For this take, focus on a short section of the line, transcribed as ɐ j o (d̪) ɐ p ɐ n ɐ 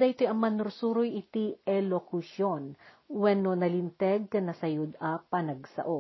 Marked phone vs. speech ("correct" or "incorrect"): correct